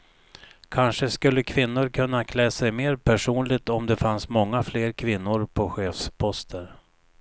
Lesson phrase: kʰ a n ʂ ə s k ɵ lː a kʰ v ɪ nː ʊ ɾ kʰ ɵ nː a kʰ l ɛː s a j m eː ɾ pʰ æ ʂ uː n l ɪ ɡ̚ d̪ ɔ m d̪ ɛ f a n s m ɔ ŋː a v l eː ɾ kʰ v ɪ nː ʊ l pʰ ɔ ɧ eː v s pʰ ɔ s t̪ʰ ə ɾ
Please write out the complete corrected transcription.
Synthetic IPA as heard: kʰ a n ʂ ə s k ɵ lː ə kʰ v ɪ nː ʊ ɾ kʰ ɵ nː a kʰ l ɛː s ɛ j m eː ɾ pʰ æ ʂ uː n l ɪ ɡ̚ t̪ ɔ m d̪ ɛ f a n s m ɔ ŋː a f l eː ɾ kʰ v ɪ nː ʊ ɾ pʰ ɔ ɧ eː f s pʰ ɔ s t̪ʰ ə ɾ